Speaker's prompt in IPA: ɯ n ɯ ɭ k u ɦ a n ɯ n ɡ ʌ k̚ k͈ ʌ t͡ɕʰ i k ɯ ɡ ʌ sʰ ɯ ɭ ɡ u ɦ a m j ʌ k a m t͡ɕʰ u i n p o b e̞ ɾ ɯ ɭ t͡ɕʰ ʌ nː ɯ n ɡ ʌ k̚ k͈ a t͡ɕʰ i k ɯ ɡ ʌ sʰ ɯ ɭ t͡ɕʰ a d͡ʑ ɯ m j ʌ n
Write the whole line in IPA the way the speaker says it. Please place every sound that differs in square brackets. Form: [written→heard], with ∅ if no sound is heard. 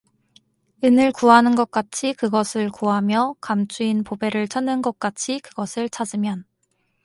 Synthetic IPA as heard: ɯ n ɯ ɭ k u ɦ a n ɯ n ɡ ʌ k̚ k͈ [ʌ→a] t͡ɕʰ i k ɯ ɡ ʌ sʰ ɯ ɭ [ɡ→k] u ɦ a m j ʌ k a m t͡ɕʰ u i n p o b e̞ ɾ ɯ ɭ t͡ɕʰ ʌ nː ɯ n ɡ ʌ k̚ k͈ a t͡ɕʰ i k ɯ ɡ ʌ sʰ ɯ ɭ t͡ɕʰ a d͡ʑ ɯ m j ʌ n

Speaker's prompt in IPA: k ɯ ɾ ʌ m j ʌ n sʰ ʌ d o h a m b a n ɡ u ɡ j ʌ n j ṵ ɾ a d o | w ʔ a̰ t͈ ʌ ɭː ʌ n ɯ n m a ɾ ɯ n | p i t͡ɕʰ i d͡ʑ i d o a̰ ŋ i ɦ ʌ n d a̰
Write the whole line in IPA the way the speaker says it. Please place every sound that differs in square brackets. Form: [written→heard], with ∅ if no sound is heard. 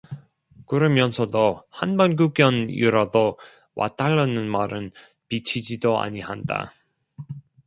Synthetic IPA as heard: k ɯ ɾ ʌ m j ʌ n sʰ ʌ d o h a [m→n] b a n ɡ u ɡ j ʌ n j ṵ ɾ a d o | w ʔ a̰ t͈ [ʌ→a] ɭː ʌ n ɯ n m a ɾ ɯ n | p i t͡ɕʰ i d͡ʑ i d o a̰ [ŋ→ɲ] i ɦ [ʌ→a] n d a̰

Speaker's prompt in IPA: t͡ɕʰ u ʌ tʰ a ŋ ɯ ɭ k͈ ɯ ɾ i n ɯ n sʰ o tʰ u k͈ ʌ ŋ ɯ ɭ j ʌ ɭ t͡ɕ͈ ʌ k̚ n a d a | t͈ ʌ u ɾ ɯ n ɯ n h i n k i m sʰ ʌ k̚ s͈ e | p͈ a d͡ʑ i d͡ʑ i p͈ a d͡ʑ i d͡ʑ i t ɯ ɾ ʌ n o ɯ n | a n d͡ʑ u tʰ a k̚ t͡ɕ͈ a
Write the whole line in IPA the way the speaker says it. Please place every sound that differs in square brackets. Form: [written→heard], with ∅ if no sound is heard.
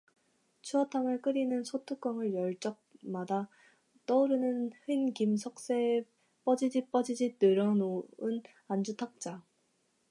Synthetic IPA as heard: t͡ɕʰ u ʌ tʰ a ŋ ɯ ɭ k͈ ɯ ɾ i n ɯ n sʰ o tʰ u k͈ ʌ ŋ ɯ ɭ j ʌ ɭ t͡ɕ͈ ʌ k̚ [n→m] a d a | t͈ ʌ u ɾ ɯ n ɯ n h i n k i m sʰ ʌ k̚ s͈ e | p͈ [a→ʌ] d͡ʑ i d͡ʑ i p͈ [a→ʌ] d͡ʑ i d͡ʑ i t ɯ ɾ ʌ n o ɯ n | a n d͡ʑ u tʰ a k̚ t͡ɕ͈ a

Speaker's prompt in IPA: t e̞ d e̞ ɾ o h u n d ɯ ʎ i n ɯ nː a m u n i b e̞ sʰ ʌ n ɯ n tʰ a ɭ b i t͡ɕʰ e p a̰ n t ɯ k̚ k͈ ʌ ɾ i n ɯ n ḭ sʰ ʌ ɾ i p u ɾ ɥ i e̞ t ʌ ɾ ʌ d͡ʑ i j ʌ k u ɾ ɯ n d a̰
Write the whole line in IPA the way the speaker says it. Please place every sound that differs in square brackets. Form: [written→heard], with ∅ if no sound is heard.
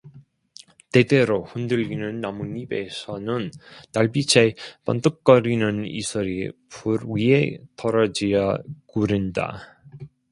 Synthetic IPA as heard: t e̞ d e̞ ɾ o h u n d ɯ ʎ i n ɯ nː a m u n i b e̞ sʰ ʌ n ɯ n [tʰ→t] a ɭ b i t͡ɕʰ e p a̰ n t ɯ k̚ k͈ ʌ ɾ i n ɯ n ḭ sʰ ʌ ɾ i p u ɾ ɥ i e̞ t ʌ ɾ ʌ d͡ʑ i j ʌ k u ɾ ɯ n d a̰

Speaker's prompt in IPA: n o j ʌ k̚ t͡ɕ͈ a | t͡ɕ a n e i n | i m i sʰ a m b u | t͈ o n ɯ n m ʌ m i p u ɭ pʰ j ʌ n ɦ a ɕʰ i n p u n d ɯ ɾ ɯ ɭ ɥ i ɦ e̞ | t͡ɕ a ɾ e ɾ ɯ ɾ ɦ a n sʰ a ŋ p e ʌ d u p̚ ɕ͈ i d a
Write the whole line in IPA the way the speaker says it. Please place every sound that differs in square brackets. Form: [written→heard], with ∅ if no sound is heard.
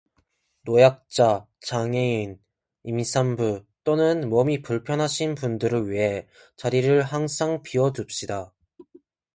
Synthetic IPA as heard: n o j [ʌ→a] k̚ t͡ɕ͈ a | t͡ɕ a [n→ŋ] e i n | i m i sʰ a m b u | t͈ o n ɯ n m ʌ m i p u ɭ pʰ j ʌ n ɦ a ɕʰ i n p u n d ɯ ɾ ɯ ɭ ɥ i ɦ e̞ | t͡ɕ a ɾ [e→i] ɾ ɯ [ɾ→ɭ] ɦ a [n→ŋ] sʰ a ŋ p [e→i] ʌ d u p̚ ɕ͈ i d a

